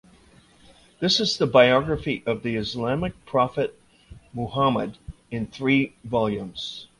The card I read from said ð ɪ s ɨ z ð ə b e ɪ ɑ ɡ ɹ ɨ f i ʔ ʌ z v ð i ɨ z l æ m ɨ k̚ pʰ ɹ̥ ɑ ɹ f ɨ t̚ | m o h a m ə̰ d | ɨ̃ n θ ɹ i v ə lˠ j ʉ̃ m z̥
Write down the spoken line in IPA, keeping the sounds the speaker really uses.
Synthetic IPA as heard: ð ɪ s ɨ z ð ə b a ɪ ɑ ɡ ɹ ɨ f i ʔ ʌ v ð i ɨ z l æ m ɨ k̚ pʰ ɹ̥ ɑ f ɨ t̚ | m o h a m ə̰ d | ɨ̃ n θ ɹ i v ɑ lˠ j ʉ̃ m z̥